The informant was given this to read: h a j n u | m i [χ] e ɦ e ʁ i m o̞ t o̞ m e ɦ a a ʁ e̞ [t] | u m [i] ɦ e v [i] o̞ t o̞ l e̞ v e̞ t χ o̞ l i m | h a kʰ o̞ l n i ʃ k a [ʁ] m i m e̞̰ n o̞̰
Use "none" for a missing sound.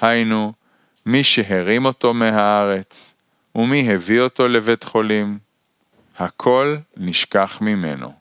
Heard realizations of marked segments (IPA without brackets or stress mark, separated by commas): ʃ, t͡s, i, i, χ